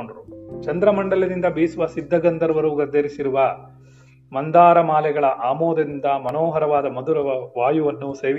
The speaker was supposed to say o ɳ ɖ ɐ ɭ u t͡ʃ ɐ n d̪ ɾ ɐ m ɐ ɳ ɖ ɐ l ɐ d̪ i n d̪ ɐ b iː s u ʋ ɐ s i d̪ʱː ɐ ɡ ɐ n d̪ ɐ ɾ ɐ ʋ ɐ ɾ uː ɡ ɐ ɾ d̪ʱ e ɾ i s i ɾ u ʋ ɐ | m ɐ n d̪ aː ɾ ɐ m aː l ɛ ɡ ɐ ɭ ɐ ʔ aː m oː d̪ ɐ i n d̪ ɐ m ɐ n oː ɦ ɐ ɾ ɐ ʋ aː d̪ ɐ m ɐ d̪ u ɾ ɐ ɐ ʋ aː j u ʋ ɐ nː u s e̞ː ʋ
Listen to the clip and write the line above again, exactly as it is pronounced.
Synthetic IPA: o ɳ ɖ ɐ ɾ u t͡ʃ ɐ n d̪ ɾ ɐ m ɐ ɳ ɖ ɐ l ɐ d̪ i n d̪ ɐ b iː s u ʋ ɐ s i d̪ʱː ɐ ɡ ɐ n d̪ ɐ ɾ ɐ ʋ ɐ ɾ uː ɡ ɐ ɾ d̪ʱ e ɾ i s i ɾ u ʋ ɐ | m ɐ n d̪ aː ɾ ɐ m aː l ɛ ɡ ɐ ɭ ɐ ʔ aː m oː d̪ ɐ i n d̪ ɐ m ɐ n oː ɦ ɐ ɾ ɐ ʋ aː d̪ ɐ m ɐ d̪ u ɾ ɐ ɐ ʋ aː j u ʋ ɐ nː u s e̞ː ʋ